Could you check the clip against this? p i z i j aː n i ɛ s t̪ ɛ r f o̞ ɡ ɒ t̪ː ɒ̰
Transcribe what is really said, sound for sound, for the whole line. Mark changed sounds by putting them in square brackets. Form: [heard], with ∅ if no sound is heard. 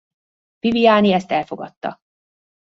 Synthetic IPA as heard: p i [v] i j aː n i ɛ s t̪ ɛ [l] f o̞ ɡ ɒ t̪ː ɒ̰